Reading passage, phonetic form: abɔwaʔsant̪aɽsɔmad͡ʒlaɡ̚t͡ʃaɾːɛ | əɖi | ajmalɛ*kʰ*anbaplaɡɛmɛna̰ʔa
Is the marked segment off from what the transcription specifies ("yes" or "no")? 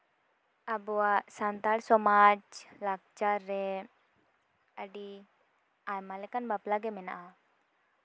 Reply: yes